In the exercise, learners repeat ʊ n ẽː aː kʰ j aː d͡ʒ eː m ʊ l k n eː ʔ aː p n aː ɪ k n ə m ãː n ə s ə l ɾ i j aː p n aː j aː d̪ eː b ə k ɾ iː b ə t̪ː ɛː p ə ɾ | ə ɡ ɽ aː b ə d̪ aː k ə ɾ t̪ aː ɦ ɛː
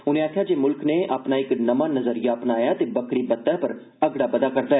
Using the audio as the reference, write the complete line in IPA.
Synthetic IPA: ʊ n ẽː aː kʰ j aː d͡ʒ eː m ʊ l k n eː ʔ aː p n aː ɪ k n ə m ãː n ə z ə ɾ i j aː p n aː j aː t̪ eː b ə k ɾ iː b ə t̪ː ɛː p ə ɾ | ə ɡ ɽ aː b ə d̪ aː k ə ɾ d̪ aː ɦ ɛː